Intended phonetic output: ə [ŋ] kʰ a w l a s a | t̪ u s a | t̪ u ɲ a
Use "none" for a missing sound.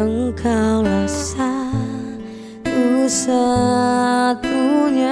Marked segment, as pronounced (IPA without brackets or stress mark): ŋ